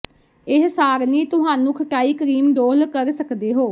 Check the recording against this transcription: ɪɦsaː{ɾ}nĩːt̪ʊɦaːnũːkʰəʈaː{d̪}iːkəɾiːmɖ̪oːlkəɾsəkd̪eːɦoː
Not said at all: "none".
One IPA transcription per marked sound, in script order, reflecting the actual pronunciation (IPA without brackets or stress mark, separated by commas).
ɾ, none